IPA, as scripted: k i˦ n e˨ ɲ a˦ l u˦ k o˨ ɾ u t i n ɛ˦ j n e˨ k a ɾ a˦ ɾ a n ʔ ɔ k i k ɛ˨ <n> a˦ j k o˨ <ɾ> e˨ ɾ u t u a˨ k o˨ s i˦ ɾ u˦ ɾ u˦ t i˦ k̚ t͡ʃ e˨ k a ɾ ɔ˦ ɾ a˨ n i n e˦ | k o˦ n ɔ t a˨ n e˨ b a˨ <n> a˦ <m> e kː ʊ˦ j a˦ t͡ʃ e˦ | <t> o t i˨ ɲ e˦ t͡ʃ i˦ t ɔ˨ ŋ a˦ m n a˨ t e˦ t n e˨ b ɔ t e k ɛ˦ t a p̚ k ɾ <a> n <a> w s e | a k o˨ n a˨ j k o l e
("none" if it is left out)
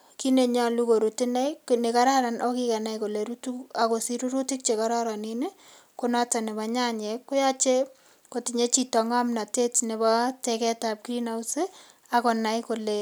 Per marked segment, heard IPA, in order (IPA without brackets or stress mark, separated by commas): n, l, ɲ, ɲ, k, i, a